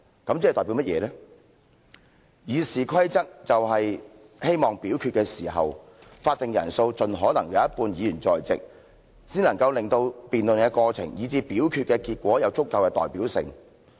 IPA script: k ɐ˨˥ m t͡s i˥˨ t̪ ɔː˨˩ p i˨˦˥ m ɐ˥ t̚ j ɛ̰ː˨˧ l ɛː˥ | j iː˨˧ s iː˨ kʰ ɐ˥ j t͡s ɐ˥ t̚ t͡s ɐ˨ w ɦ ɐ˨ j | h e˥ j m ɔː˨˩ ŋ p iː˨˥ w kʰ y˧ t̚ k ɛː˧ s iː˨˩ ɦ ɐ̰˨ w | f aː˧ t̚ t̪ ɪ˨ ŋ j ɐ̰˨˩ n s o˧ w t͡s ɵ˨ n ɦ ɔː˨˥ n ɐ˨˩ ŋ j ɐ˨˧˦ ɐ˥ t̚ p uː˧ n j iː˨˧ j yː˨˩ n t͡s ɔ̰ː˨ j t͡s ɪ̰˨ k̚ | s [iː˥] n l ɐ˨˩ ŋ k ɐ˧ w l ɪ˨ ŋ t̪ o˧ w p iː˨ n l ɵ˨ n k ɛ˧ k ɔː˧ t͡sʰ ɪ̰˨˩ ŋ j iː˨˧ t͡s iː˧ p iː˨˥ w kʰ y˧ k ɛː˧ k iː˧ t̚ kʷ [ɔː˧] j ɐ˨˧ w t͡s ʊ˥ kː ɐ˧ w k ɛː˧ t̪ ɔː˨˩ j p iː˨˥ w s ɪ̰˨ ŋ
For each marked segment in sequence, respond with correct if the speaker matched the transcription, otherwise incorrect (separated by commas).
correct, incorrect